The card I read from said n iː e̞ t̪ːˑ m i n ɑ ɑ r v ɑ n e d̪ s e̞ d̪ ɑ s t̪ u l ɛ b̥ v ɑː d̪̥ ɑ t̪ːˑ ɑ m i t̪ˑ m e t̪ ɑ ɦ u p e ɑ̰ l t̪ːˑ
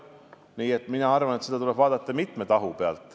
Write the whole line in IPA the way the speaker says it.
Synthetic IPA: n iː e̞ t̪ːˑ m i n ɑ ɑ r v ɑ n e t̪ s e̞ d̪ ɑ t̪ u l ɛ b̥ v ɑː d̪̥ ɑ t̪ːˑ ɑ m i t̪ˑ m e t̪ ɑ ɦ u p e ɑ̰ l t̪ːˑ